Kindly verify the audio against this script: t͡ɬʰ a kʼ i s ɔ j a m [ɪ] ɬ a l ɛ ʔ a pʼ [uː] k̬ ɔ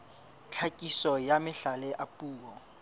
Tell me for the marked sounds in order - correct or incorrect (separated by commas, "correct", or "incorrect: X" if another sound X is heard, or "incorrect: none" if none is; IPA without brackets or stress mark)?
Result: correct, correct